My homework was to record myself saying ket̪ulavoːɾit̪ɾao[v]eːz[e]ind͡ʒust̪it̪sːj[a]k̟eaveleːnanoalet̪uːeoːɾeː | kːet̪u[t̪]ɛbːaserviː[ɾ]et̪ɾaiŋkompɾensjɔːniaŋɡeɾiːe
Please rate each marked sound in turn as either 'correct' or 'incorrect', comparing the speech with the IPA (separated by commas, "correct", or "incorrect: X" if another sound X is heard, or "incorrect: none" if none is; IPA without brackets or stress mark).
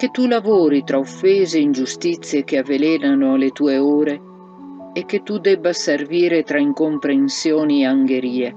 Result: incorrect: f, correct, incorrect: e, incorrect: d̪, correct